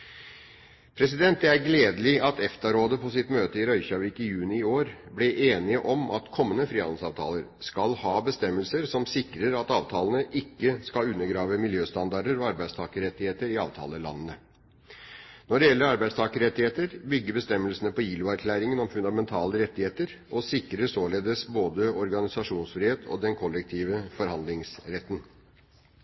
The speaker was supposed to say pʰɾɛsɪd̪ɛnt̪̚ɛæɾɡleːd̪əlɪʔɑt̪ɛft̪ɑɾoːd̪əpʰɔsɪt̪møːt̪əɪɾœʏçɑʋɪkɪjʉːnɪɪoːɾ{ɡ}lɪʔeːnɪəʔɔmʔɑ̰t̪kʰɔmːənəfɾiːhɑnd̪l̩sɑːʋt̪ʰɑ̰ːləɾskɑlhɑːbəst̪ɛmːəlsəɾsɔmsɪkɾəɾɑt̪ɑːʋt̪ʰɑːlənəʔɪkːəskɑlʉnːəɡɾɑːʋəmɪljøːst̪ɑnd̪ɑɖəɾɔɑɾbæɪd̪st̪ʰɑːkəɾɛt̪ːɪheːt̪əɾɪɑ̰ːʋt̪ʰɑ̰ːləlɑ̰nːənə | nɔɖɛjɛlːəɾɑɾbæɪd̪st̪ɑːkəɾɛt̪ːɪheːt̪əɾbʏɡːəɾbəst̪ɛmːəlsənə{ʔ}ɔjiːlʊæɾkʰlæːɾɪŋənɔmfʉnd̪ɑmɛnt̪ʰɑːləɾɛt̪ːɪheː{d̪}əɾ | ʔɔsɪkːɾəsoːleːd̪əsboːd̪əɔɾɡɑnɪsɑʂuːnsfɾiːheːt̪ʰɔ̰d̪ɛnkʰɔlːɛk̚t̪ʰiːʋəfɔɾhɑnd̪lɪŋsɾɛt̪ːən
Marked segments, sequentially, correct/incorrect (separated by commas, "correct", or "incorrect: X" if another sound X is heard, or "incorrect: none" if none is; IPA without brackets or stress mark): incorrect: b, incorrect: p, incorrect: t̪